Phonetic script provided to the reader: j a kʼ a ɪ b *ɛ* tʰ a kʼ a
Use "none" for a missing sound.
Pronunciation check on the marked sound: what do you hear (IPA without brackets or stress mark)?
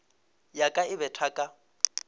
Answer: ɛ